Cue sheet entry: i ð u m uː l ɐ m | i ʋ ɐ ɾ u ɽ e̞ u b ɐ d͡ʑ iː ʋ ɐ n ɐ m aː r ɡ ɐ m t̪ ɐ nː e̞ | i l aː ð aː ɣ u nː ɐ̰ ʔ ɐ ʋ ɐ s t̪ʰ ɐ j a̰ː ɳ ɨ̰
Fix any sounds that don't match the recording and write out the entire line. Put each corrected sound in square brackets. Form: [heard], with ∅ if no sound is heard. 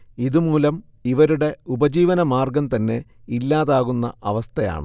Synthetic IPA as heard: i ð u m uː l ɐ m | i ʋ ɐ ɾ u ɽ e̞ u b ɐ d͡ʑ iː ʋ ɐ n ɐ m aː r ɡ ɐ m t̪ ɐ nː e̞ | i [lː] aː ð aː ɣ u nː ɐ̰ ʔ ɐ ʋ ɐ s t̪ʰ ɐ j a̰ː ɳ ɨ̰